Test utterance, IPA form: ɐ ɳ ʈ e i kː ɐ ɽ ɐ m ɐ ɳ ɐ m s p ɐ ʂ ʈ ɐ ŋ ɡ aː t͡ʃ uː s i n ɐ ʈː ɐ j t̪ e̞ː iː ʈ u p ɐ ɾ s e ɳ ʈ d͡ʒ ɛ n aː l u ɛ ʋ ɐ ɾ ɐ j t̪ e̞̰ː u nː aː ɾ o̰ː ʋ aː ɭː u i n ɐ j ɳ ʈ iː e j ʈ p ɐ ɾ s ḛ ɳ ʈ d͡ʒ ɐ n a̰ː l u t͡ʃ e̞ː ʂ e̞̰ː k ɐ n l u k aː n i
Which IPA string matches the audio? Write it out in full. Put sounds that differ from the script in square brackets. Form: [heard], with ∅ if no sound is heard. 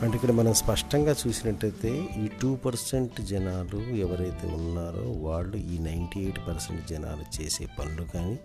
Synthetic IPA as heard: ɐ ɳ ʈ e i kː ɐ ɽ ɐ m ɐ [n] ɐ m s p ɐ ʂ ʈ ɐ ŋ ɡ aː t͡ʃ uː s i n ɐ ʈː ɐ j t̪ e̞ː iː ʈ [uː] p ɐ ɾ s e ɳ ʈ d͡ʒ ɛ n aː l u ɛ ʋ ɐ ɾ ɐ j t̪ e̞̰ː u nː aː ɾ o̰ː ʋ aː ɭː u [iː] n ɐ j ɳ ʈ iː e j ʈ p ɐ ɾ s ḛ ɳ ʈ d͡ʒ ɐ n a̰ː l u t͡ʃ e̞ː [s] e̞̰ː [p] ɐ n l u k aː n i